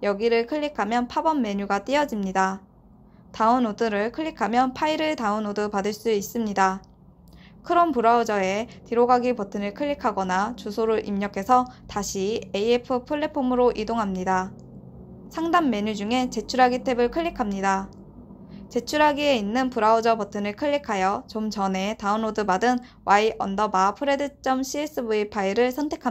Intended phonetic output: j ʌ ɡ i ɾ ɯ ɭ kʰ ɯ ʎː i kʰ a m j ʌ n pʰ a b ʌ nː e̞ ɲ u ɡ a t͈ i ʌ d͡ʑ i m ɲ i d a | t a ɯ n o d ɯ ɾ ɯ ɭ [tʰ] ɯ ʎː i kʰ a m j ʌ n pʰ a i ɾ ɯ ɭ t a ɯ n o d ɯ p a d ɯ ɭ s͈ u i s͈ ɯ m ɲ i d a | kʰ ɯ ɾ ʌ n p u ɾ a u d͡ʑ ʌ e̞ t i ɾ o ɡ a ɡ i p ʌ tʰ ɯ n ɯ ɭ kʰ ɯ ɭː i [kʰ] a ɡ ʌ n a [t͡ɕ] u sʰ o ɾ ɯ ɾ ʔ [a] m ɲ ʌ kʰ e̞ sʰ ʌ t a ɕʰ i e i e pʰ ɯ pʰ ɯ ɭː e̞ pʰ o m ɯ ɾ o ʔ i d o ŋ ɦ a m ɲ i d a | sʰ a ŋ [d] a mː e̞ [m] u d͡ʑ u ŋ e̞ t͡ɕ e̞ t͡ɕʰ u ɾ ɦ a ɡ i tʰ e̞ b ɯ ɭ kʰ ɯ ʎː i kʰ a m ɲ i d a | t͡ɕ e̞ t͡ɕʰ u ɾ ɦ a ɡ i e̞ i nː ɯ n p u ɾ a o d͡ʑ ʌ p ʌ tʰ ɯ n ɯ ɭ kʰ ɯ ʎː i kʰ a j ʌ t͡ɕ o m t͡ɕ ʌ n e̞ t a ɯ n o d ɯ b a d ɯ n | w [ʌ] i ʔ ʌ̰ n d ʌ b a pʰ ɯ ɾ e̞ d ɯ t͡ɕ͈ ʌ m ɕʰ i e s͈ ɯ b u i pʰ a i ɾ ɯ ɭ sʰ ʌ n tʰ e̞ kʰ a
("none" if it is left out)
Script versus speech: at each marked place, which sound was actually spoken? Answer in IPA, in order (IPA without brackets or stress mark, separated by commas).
kʰ, kʰ, t͡ɕ, i, d, ɲ, a